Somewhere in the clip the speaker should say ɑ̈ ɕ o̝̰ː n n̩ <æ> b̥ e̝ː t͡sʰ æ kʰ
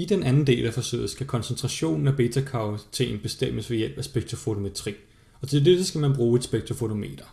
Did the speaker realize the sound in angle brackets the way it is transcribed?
yes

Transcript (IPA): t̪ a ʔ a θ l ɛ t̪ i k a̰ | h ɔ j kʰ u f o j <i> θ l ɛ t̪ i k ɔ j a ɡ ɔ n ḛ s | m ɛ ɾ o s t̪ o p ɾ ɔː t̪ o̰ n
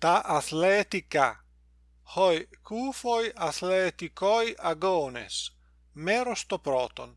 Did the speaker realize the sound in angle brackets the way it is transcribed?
no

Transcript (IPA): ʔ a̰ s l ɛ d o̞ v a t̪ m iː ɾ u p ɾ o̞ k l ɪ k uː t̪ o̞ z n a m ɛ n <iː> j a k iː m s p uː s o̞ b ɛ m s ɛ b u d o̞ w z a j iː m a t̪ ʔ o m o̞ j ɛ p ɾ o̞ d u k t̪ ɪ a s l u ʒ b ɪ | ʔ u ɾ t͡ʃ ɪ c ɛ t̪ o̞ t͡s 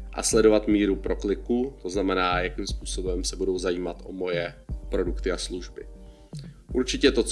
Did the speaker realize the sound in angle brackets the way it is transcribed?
no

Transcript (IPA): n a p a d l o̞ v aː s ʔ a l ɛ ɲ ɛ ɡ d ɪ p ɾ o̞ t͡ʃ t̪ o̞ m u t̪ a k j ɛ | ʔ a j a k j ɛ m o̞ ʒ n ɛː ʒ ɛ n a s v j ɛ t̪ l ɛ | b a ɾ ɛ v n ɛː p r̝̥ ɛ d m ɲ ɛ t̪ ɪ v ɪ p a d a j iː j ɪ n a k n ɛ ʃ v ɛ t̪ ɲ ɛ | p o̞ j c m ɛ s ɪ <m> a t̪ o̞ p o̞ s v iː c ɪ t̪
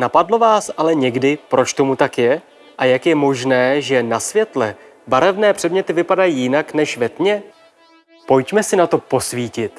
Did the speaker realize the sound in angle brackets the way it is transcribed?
no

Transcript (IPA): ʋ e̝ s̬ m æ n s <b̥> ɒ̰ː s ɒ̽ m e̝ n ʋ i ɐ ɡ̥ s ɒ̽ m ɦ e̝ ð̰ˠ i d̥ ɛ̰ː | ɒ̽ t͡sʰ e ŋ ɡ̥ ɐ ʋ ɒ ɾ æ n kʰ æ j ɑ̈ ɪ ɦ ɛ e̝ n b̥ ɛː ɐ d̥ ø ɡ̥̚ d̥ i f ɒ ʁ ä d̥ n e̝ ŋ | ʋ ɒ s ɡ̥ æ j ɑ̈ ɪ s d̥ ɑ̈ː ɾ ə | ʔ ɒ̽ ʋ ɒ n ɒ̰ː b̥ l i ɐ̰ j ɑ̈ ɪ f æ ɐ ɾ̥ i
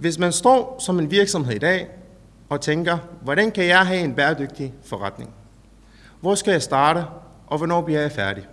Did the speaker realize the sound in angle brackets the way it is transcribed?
no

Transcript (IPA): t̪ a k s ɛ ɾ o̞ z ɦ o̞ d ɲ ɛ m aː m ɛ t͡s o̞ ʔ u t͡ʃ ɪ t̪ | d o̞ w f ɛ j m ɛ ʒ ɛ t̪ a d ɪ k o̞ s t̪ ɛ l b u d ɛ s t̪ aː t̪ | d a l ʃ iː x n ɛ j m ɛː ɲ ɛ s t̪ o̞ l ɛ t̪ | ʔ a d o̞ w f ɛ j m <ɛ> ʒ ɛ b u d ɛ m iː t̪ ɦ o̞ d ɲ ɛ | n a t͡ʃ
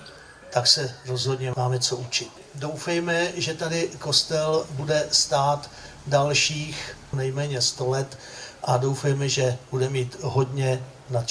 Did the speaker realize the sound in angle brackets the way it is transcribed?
yes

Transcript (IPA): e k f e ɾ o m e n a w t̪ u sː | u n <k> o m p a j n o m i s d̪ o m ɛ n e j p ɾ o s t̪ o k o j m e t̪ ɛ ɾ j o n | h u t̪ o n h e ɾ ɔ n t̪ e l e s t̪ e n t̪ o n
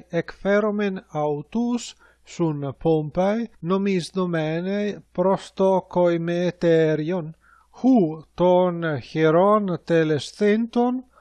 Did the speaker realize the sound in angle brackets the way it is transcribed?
no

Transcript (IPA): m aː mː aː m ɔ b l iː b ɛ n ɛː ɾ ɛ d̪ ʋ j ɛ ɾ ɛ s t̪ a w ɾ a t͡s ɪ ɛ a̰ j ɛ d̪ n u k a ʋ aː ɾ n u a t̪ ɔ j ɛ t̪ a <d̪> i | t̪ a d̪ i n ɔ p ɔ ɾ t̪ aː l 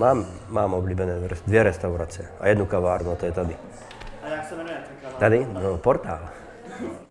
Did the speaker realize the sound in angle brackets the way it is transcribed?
yes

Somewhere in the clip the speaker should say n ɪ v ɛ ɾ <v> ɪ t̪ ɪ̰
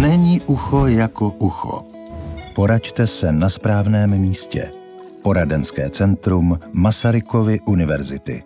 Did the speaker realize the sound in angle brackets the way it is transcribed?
no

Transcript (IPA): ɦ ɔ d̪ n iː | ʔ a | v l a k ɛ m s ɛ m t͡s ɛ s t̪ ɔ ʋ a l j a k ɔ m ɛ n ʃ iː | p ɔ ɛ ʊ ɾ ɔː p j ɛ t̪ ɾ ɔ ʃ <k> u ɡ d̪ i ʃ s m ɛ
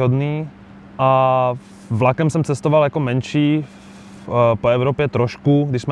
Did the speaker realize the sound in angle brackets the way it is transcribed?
yes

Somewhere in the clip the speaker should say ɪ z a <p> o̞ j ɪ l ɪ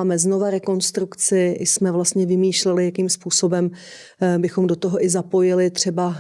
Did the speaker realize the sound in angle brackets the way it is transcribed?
yes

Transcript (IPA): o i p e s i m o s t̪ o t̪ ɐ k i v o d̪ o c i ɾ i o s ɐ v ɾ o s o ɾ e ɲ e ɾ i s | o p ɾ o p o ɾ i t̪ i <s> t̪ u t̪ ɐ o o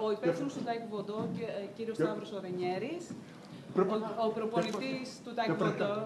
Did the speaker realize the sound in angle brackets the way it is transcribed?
yes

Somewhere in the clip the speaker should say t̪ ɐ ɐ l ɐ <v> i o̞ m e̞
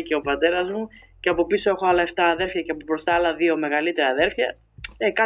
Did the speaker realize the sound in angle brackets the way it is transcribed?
no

